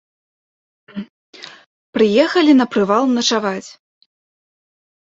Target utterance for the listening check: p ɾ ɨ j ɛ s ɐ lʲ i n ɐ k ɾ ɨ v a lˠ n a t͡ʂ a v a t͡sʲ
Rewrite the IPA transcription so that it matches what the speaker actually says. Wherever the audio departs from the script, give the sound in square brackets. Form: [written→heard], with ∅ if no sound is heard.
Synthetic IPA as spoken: p ɾ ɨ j ɛ [s→x] ɐ lʲ i n ɐ [k→p] ɾ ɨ v a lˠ n [a→ɐ] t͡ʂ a v a t͡sʲ

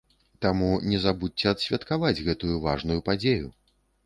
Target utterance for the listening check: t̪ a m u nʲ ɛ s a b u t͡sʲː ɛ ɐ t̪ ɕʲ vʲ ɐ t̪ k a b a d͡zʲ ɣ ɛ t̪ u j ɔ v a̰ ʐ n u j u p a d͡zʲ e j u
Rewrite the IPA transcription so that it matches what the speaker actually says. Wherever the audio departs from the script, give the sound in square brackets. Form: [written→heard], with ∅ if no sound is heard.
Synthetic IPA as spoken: t̪ a m u nʲ ɛ [s→z] a b u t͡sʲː ɛ ɐ t̪ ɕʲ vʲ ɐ t̪ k a [b→v] a d͡zʲ ɣ ɛ t̪ u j [ɔ→u] v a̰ ʐ n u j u p a d͡zʲ e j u

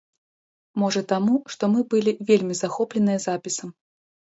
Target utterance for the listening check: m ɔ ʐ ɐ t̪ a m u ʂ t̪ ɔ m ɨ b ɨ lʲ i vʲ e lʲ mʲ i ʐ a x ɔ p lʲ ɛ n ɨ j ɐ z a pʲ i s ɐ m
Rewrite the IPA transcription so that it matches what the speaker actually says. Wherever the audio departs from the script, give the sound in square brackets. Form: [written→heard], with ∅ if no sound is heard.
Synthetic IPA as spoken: m ɔ ʐ ɐ t̪ a m u ʂ t̪ ɔ m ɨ b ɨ lʲ i vʲ e lʲ mʲ i [ʐ→z] a x ɔ p lʲ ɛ n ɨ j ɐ z a pʲ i s ɐ m

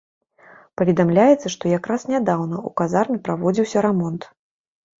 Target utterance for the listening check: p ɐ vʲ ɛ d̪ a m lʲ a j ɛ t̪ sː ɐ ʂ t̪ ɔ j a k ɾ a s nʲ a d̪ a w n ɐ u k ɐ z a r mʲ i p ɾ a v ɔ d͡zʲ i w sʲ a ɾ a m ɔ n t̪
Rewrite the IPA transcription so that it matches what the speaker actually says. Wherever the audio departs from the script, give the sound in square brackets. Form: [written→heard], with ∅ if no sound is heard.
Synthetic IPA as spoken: p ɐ vʲ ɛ d̪ a m lʲ a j ɛ t̪ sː ɐ ʂ t̪ ɔ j a k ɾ a s nʲ a d̪ a w n ɐ u k [ɐ→a] z a r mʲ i p ɾ a v ɔ d͡zʲ i w sʲ [a→ɐ] ɾ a m ɔ n t̪

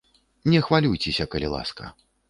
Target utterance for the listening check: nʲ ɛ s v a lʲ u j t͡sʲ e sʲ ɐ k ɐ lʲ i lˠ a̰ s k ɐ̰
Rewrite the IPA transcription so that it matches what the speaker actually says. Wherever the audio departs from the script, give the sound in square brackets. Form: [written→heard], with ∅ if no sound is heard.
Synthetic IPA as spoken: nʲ ɛ [s→x] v a lʲ u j t͡sʲ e sʲ ɐ k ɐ lʲ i lˠ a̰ s k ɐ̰

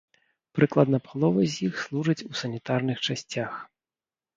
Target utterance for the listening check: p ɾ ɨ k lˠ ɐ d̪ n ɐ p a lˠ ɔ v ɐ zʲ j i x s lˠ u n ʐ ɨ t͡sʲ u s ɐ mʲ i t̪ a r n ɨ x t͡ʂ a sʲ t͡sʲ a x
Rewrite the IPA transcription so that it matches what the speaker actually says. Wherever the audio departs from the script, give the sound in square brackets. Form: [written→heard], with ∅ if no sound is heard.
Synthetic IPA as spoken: p ɾ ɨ k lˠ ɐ d̪ n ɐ p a lˠ ɔ v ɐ zʲ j i x s lˠ u [n→∅] ʐ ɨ t͡sʲ u s ɐ [mʲ→nʲ] i t̪ a r n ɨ x t͡ʂ a sʲ t͡sʲ a x

